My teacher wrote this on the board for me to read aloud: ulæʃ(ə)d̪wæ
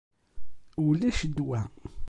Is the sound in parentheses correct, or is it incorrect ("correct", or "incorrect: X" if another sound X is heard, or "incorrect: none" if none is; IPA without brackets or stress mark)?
correct